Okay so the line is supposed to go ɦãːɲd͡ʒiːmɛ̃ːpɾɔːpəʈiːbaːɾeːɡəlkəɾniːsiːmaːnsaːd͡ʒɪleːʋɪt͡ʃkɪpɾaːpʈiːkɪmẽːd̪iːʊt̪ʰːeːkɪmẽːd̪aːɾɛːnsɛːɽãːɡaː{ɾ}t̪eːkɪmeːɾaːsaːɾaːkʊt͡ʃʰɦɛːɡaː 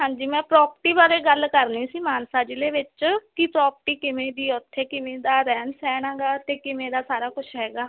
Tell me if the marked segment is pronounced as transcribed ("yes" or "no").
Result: no